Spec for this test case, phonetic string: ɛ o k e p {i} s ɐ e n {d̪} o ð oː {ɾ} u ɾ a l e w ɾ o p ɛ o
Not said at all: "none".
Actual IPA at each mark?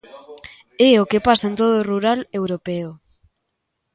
a, t̪, r

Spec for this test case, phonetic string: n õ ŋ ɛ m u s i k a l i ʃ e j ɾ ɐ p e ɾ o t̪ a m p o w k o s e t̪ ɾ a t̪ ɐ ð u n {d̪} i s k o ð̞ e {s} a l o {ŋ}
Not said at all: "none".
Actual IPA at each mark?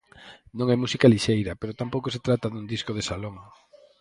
d̪, s, ŋ

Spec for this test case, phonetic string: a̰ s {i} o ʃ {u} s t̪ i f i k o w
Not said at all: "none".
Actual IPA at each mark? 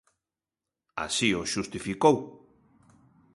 i, u

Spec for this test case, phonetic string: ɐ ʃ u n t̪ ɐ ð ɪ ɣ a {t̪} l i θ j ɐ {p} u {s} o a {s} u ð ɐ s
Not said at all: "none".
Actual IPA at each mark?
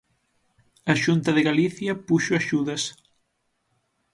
none, p, ʃ, ʃ

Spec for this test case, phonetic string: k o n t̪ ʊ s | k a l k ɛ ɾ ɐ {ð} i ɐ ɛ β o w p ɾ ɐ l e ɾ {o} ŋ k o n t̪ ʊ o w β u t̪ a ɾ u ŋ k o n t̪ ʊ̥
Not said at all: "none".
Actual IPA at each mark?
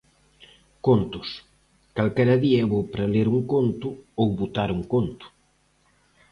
ð, u

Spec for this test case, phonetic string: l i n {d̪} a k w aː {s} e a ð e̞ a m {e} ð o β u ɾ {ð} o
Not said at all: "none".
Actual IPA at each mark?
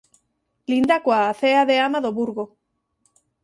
d̪, θ, a, ɣ

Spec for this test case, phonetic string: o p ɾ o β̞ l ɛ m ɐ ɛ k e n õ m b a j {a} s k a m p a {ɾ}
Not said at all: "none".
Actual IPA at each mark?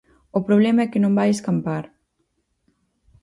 e, ɾ

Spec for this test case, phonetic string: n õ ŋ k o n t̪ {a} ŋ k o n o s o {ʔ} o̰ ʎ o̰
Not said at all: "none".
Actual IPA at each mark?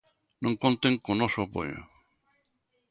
e, p

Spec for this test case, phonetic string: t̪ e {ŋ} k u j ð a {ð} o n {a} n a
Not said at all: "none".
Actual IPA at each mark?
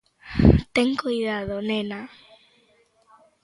ŋ, ð, e

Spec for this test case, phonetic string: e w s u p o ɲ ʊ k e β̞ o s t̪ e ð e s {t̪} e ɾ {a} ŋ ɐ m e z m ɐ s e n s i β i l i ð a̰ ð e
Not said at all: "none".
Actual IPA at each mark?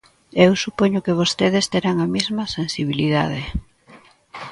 t̪, a

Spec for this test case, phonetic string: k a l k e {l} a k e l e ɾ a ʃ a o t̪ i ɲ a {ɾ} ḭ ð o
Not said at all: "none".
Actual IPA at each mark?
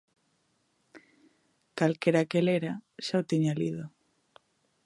ɾ, l

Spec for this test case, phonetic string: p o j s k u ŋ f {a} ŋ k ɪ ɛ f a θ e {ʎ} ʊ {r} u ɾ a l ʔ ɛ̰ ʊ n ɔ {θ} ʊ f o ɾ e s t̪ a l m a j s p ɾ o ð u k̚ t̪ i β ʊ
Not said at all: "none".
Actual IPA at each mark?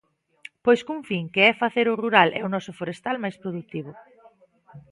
i, ɾ, r, s

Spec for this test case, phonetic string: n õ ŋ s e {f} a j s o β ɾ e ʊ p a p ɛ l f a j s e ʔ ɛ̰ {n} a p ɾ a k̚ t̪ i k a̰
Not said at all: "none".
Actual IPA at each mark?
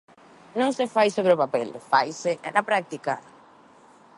f, n

